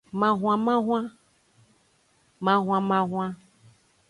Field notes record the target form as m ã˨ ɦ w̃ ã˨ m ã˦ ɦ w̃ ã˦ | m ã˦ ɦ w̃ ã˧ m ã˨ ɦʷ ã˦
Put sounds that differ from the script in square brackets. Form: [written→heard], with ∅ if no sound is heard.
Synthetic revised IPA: m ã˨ ɦ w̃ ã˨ m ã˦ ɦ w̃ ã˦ | m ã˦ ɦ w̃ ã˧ m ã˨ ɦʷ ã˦